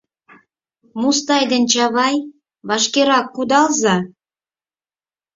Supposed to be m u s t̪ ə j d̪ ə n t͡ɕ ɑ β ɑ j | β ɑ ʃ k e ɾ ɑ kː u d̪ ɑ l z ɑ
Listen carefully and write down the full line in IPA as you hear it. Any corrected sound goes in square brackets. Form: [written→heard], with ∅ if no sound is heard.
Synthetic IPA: m u s t̪ [ə→ɑ] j d̪ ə n t͡ɕ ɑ β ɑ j | β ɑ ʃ k e ɾ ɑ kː u d̪ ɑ l z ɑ